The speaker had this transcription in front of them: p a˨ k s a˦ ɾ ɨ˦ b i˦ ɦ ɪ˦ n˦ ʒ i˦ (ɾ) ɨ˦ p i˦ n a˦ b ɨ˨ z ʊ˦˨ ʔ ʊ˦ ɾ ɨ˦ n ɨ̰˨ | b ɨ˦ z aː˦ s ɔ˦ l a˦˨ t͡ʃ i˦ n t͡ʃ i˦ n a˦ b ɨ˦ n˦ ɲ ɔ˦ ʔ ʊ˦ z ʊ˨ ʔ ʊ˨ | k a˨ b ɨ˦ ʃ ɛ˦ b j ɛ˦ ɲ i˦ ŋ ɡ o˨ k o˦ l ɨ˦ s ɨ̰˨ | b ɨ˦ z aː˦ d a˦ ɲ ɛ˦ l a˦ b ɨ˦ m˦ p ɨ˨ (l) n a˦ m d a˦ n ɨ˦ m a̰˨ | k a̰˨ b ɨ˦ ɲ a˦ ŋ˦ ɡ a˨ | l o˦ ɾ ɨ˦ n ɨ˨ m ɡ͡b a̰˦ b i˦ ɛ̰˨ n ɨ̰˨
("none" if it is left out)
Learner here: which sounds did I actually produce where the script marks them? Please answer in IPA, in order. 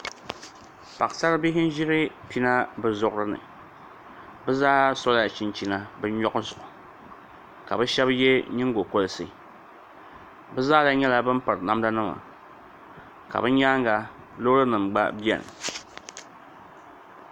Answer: ɾ, ɾ

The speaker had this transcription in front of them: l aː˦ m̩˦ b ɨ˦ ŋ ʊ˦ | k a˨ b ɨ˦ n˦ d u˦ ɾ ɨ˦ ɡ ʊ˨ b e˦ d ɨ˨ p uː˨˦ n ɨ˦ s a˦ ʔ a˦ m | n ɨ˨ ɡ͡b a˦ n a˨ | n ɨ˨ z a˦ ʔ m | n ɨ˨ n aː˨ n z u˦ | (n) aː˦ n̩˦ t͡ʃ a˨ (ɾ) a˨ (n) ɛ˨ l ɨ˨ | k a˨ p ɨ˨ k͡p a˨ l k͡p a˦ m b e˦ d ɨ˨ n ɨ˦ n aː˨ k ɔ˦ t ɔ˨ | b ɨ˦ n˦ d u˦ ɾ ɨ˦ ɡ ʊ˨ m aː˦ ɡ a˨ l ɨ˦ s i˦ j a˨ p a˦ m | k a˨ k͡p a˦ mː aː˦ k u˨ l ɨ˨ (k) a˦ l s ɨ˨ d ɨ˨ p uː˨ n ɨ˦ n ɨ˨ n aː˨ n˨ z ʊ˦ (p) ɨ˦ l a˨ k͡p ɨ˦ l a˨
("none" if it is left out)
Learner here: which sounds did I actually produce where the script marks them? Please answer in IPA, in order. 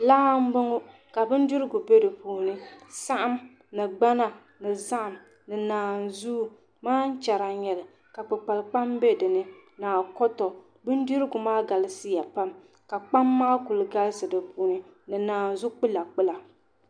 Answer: m, ɾ, ɲ, ɡ, k͡p

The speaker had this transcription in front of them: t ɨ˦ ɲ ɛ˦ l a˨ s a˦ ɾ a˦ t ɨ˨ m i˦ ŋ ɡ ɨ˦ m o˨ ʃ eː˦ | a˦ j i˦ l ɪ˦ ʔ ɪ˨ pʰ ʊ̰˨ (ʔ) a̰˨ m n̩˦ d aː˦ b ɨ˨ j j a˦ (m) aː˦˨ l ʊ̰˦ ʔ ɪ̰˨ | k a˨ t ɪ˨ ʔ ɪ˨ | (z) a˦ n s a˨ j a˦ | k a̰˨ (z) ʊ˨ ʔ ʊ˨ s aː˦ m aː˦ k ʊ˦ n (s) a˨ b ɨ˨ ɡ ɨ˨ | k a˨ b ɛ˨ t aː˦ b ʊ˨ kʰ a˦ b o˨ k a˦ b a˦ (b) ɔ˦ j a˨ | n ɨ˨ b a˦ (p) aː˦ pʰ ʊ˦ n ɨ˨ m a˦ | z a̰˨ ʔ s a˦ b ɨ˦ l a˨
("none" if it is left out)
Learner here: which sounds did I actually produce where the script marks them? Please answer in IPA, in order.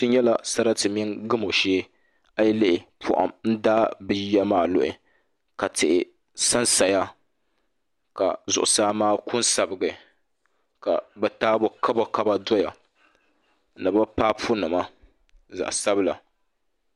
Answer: ʔ, m, s, z, s, d, p

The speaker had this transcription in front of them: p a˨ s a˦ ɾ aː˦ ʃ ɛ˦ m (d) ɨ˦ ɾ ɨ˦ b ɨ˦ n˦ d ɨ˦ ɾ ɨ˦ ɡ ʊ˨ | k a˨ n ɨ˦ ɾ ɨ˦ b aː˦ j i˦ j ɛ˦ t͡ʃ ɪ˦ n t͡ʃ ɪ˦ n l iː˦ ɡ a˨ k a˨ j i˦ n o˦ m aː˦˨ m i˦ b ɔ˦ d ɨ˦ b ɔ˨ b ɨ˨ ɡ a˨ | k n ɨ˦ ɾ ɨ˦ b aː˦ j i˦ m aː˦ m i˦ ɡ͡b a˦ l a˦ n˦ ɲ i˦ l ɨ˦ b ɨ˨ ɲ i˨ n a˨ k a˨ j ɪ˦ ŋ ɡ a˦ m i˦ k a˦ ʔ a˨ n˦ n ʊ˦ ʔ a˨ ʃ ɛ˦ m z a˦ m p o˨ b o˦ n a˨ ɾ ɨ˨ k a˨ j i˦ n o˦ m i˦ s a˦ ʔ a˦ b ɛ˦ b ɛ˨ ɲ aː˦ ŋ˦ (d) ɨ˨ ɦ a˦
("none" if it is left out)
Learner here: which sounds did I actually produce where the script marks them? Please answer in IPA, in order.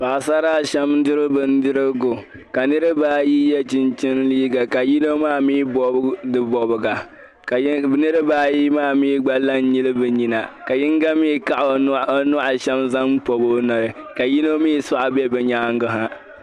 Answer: d, ɡ

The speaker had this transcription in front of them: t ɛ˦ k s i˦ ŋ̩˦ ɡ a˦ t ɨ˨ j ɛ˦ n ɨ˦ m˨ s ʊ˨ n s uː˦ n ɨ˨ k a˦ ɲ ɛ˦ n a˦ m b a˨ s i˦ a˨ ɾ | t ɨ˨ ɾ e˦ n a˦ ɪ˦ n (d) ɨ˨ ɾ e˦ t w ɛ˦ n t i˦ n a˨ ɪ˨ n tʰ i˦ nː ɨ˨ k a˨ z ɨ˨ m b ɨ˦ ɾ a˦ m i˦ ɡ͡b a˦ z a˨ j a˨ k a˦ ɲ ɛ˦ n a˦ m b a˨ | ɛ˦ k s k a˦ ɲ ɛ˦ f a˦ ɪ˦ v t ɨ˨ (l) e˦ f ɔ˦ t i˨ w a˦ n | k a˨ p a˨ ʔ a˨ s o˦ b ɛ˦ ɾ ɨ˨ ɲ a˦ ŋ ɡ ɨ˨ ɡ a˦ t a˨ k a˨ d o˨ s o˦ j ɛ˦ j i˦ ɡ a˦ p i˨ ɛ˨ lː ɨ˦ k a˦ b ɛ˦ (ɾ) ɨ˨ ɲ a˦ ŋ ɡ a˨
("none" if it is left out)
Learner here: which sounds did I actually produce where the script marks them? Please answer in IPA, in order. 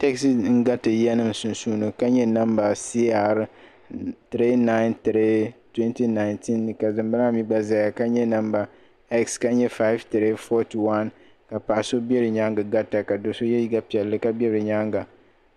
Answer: t, ɾ, ɾ

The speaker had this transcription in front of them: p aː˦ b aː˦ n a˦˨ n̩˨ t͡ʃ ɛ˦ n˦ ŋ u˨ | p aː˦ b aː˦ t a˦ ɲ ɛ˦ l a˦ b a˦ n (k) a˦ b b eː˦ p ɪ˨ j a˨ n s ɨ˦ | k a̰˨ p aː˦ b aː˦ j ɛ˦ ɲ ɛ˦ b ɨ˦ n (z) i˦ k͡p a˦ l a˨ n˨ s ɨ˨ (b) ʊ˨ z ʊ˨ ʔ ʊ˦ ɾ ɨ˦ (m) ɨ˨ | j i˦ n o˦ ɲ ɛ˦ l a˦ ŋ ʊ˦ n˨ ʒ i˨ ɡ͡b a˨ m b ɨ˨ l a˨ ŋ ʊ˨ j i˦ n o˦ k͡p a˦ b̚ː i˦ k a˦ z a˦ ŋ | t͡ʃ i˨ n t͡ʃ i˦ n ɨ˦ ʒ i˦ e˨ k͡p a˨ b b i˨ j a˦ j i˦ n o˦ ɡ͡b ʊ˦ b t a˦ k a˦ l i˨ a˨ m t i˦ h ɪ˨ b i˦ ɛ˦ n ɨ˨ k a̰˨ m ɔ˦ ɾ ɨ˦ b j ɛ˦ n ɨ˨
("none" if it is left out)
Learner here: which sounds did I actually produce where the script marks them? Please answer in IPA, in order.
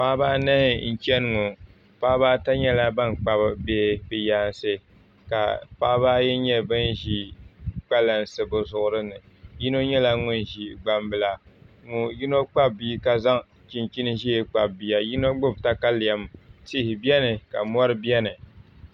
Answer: k͡p, ʒ, b, n

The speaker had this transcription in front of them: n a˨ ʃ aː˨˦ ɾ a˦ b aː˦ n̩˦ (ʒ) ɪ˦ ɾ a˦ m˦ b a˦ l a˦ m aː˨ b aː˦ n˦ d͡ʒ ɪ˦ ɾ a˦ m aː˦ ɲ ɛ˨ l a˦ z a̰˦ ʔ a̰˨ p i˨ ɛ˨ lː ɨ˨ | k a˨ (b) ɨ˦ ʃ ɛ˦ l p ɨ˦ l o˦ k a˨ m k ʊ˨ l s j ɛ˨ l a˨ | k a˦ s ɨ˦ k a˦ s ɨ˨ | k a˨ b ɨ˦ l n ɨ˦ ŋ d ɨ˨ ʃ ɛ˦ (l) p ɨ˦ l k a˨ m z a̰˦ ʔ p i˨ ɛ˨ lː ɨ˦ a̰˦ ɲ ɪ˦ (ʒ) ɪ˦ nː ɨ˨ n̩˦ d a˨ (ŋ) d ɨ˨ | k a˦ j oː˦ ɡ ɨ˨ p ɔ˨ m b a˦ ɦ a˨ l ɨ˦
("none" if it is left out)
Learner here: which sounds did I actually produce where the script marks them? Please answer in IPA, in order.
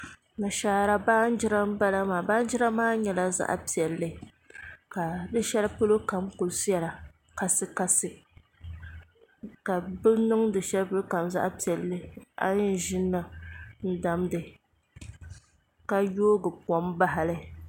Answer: d͡ʒ, d, l, ʒ, m

